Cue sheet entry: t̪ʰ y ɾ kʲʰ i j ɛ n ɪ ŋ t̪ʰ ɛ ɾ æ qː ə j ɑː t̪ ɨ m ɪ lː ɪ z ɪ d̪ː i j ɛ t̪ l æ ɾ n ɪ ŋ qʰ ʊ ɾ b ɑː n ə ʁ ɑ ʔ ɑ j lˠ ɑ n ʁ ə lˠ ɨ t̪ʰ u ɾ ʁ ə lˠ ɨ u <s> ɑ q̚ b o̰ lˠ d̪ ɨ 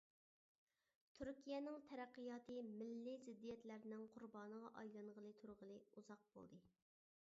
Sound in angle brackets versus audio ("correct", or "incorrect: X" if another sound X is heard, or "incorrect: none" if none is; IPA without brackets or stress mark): incorrect: z